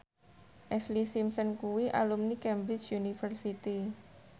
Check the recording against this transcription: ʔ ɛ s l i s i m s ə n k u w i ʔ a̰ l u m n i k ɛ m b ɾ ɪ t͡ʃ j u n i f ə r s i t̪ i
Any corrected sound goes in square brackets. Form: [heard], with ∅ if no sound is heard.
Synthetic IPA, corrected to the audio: ʔ ɛ s l i s i m s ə n k u w i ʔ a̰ l u m n i k ɛ m b ɾ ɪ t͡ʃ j u n i f ə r s i t̪ i